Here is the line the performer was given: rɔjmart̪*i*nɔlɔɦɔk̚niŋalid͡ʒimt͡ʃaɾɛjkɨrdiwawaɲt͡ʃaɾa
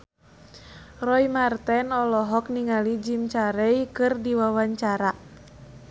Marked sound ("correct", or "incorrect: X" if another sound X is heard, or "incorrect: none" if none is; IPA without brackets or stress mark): incorrect: ɛ